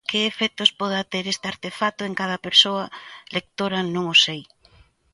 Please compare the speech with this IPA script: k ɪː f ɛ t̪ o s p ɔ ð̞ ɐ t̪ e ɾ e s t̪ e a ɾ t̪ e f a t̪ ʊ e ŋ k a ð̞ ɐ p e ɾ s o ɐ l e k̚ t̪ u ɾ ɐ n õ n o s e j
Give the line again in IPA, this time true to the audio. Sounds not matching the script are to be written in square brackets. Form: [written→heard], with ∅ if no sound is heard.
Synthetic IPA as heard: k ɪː f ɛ t̪ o s p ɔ ð̞ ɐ t̪ e ɾ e s t̪ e a ɾ t̪ e f a t̪ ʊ e ŋ k a ð̞ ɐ p e ɾ s o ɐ l e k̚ t̪ [u→o] ɾ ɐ n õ [n→ŋ] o s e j